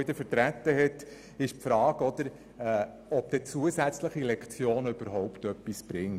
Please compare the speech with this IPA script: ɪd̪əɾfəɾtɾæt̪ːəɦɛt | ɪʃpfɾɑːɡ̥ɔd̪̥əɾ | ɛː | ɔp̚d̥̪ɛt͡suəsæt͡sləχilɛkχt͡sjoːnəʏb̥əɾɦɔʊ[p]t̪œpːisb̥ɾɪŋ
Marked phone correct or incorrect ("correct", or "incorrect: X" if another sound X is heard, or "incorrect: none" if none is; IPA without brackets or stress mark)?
correct